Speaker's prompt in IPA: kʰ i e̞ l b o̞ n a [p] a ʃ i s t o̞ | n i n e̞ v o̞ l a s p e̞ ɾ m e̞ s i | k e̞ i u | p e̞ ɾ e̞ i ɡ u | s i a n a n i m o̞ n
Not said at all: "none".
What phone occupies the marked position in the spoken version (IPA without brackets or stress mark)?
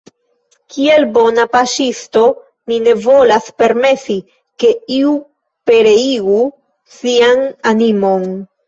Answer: p